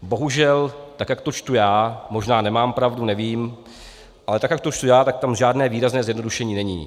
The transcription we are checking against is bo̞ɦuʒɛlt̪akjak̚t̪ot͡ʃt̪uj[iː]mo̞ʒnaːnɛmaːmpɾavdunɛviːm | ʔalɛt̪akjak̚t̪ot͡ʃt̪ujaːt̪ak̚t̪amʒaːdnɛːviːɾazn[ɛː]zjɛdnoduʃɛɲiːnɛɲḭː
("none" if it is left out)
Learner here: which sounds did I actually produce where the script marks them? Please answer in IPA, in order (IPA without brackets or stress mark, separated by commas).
aː, ɛː